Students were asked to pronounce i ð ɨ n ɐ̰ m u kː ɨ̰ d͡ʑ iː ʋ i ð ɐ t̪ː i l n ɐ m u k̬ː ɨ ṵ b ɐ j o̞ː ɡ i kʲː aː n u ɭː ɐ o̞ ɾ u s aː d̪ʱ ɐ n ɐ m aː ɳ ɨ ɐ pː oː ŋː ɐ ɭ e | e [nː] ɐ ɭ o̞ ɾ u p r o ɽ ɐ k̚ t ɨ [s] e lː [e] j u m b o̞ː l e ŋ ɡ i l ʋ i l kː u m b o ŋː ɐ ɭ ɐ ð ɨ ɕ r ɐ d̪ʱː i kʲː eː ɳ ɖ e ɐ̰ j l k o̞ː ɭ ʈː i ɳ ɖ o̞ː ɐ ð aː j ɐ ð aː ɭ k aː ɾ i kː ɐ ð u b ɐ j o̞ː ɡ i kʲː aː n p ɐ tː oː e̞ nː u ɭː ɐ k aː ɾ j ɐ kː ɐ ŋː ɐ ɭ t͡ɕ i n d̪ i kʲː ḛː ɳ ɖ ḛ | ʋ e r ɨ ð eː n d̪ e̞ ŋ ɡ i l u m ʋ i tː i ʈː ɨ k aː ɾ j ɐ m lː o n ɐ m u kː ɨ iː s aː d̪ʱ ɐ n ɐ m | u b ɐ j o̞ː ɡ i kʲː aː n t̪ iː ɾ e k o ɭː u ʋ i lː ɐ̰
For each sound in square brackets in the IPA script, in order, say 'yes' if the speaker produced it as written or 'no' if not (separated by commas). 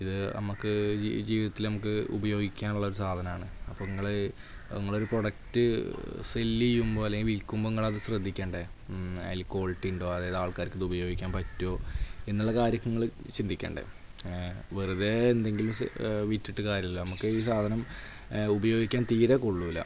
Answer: no, yes, no